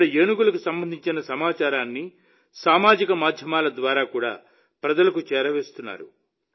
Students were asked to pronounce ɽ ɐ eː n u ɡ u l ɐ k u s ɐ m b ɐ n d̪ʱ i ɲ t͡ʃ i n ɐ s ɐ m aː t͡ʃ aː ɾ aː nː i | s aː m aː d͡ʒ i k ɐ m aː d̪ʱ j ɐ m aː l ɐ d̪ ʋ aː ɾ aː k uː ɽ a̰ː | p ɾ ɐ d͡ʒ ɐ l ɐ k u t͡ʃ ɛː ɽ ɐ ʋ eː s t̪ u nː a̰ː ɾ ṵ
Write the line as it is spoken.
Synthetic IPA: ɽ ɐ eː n u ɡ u l ɐ k u s ɐ m b ɐ n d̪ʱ i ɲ t͡ʃ i n ɐ s ɐ m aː t͡ʃ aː ɾ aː nː i | s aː m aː d͡ʒ i k ɐ m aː d̪ʱ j ɐ m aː l ɐ d̪ ʋ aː ɾ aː k uː ɽ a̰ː | p ɾ ɐ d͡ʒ ɐ l ɐ k u t͡ʃ ɛː ɾ ɐ ʋ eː s t̪ u nː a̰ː ɾ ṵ